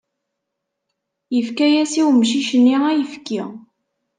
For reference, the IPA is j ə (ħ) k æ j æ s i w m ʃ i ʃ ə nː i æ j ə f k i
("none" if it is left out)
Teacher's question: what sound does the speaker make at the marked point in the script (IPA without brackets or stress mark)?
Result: f